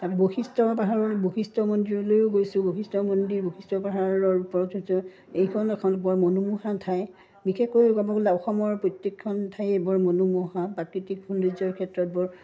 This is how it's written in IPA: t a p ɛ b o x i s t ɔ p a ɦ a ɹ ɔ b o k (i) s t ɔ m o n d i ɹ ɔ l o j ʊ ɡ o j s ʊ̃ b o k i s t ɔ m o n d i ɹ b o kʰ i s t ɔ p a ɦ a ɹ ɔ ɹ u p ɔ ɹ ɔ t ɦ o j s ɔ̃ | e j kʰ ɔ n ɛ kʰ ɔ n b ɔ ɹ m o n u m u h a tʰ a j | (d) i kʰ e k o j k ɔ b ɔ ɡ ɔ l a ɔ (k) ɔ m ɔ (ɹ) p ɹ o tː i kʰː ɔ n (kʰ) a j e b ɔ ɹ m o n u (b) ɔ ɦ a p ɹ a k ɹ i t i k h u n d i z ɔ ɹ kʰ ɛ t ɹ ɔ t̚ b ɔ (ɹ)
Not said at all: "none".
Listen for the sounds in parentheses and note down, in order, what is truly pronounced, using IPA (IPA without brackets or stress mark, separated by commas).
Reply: i, b, x, ɹ, tʰ, m, ɹ